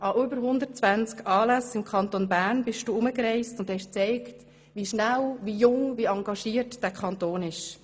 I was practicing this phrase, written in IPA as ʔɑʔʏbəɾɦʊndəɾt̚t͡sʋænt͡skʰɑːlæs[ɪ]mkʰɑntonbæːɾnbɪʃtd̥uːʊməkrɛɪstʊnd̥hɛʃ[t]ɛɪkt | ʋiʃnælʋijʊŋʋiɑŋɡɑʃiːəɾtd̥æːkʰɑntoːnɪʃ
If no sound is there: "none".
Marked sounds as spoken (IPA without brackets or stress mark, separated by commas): ɪ, t͡s